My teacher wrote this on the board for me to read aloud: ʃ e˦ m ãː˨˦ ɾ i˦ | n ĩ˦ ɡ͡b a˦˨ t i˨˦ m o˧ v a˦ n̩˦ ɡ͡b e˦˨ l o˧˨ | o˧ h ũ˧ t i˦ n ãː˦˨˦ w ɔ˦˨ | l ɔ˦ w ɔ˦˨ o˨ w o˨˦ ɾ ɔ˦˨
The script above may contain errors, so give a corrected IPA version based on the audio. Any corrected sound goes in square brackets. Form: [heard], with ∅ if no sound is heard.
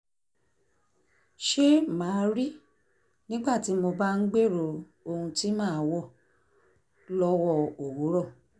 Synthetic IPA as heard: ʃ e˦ m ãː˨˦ ɾ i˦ | n ĩ˦ ɡ͡b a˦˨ t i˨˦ m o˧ [b] a˦ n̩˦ ɡ͡b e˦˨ [ɾ] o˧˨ | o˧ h ũ˧ t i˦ [m] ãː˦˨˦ w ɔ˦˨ | l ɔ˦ w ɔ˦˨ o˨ w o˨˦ ɾ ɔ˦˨